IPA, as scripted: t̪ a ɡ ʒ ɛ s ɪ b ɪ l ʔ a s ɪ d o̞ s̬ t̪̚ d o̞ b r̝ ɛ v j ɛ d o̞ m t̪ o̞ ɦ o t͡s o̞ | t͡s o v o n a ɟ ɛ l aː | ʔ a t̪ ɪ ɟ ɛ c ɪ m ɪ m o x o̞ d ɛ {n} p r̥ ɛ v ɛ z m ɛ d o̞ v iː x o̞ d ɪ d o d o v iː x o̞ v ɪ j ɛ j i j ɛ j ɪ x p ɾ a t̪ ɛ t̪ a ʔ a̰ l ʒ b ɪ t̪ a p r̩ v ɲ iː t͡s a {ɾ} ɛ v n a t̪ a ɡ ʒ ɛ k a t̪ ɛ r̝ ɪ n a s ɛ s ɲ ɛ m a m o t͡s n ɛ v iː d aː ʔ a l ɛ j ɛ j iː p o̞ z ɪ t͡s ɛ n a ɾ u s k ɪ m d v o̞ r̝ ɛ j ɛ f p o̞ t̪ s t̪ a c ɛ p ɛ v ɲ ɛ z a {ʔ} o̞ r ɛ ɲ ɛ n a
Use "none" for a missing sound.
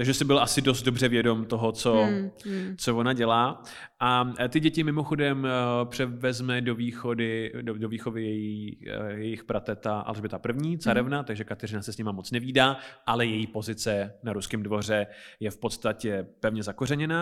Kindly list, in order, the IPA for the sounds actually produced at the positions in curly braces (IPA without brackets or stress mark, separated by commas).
m, ɾ, k